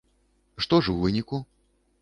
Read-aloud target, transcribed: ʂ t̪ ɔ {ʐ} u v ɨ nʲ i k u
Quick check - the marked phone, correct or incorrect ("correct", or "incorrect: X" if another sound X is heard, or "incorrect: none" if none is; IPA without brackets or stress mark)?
correct